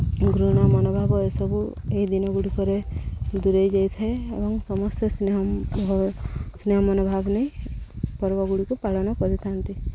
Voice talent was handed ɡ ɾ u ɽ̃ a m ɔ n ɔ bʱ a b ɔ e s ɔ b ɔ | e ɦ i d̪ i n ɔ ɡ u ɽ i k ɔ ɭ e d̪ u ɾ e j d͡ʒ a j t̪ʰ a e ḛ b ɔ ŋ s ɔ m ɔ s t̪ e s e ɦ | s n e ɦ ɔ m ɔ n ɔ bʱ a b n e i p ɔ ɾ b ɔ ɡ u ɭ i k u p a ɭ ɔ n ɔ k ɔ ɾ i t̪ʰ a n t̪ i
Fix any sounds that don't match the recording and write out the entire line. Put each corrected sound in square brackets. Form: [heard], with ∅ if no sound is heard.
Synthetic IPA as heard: ɡ ɾ u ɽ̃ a m ɔ n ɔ bʱ a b ɔ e s ɔ b [u] | e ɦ i d̪ i n ɔ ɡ u ɽ i k ɔ [ɾ] e d̪ u ɾ e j d͡ʒ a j t̪ʰ a e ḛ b ɔ ŋ s ɔ m ɔ s t̪ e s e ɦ | s n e ɦ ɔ m ɔ n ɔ bʱ a b n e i p ɔ ɾ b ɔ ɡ u [ɽ] i k u p a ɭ ɔ n ɔ k ɔ ɾ i t̪ʰ a n t̪ i